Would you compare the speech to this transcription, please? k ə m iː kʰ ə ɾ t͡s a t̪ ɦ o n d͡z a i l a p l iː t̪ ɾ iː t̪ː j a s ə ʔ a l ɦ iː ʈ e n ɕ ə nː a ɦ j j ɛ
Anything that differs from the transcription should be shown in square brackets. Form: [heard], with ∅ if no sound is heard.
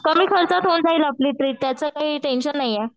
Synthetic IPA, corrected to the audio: k ə m iː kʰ ə ɾ t͡s a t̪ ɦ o n d͡z a i l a p l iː t̪ ɾ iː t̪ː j a [t͡s] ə [k] a [∅] ɦ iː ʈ e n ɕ ə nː a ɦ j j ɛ